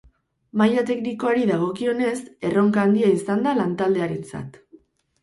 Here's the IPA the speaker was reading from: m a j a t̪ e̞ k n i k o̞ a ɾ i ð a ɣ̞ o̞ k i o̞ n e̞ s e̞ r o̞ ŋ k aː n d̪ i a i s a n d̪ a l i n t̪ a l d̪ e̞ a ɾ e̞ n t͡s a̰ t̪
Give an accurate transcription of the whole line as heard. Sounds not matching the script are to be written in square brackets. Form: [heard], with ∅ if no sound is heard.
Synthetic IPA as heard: m a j a t̪ e̞ k n i k o̞ a ɾ i ð a ɣ̞ o̞ k i o̞ n e̞ s e̞ r o̞ ŋ k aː n d̪ i a i s a n d̪ a l [a] n t̪ a l d̪ e̞ a ɾ e̞ n t͡s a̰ t̪